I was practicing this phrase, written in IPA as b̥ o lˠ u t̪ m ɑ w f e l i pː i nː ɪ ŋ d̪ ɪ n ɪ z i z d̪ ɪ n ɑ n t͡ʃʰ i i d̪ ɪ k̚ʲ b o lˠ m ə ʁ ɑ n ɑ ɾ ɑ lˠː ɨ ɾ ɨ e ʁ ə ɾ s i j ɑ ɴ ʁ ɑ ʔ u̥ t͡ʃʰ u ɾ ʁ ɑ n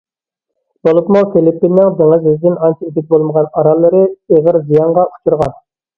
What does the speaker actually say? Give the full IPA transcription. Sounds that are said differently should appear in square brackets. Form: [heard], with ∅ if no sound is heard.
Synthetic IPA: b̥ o lˠ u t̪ m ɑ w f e l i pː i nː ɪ ŋ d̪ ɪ [ŋ] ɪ z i z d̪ ɪ n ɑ n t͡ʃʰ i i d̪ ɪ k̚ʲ b o lˠ m ə ʁ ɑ n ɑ ɾ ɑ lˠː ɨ ɾ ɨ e ʁ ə ɾ [z] i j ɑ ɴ ʁ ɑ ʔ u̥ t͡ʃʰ u ɾ ʁ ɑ n